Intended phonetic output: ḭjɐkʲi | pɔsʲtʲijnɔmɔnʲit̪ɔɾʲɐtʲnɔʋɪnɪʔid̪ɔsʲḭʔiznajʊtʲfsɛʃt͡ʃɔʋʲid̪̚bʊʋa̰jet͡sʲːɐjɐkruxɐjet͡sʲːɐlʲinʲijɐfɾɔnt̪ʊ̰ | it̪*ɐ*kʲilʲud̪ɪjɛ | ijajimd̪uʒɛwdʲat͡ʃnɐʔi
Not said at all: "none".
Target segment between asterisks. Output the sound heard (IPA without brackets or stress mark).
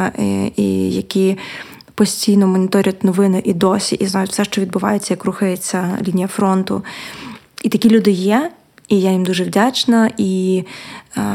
ɐ